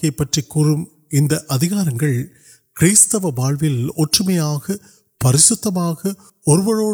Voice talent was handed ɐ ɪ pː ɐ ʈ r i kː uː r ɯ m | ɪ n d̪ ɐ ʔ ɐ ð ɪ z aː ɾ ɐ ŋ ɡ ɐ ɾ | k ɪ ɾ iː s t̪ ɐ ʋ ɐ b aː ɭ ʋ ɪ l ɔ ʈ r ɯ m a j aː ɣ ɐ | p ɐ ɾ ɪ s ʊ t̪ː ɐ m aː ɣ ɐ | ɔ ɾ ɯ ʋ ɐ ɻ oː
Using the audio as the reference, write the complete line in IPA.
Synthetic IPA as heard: ɐ ɪ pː ɐ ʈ r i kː uː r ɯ m | ɪ n d̪ ɐ ʔ ɐ ð ɪ ɣ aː ɾ ɐ ŋ ɡ ɐ ɭ | k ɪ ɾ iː s t̪ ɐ ʋ ɐ b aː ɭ ʋ ɪ l ɔ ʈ r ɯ m ɐ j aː ɣ ɐ | p ɐ ɾ ɪ s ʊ t̪ː ɐ m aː ɣ ɐ | ɔ ɾ ɯ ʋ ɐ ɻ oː